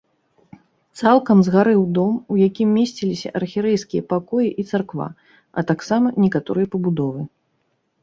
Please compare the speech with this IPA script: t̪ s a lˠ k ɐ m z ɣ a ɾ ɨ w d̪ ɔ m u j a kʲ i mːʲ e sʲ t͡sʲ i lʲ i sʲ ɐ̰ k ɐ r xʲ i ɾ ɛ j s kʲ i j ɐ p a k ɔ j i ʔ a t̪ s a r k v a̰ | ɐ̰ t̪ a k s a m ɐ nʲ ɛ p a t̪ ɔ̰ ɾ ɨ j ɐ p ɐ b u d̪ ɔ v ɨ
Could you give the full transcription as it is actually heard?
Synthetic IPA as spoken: t̪ s a lˠ k ɐ m z ɣ a ɾ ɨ w d̪ ɔ m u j a kʲ i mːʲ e sʲ t͡sʲ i lʲ i sʲ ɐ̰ ʔ ɐ r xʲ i ɾ ɛ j s kʲ i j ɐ p a k ɔ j i ʔ i t̪ s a r k v a̰ | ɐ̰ t̪ a k s a m ɐ nʲ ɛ k a t̪ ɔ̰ ɾ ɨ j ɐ p ɐ b u d̪ ɔ v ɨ